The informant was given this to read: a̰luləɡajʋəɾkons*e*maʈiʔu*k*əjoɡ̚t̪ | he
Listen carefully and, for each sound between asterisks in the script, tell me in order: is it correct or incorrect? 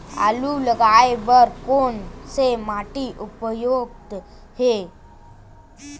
correct, incorrect

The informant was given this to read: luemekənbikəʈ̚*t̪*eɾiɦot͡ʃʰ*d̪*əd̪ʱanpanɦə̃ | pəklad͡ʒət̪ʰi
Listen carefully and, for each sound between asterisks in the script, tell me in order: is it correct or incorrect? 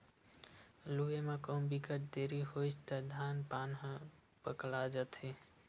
incorrect, incorrect

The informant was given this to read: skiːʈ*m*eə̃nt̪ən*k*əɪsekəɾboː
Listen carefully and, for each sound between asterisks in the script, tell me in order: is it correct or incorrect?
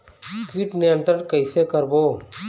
incorrect, correct

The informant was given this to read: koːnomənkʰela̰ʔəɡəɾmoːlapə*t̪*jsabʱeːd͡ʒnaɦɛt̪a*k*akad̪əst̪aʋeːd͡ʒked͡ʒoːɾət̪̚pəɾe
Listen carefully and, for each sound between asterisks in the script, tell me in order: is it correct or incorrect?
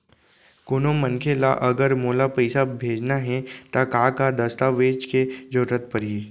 incorrect, correct

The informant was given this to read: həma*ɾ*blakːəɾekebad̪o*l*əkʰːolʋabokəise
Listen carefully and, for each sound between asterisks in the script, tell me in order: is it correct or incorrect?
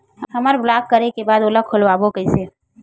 correct, correct

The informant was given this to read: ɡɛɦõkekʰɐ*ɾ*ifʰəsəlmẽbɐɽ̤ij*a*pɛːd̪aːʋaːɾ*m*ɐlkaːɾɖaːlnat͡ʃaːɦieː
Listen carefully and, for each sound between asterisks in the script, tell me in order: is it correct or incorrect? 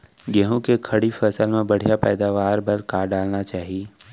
incorrect, correct, incorrect

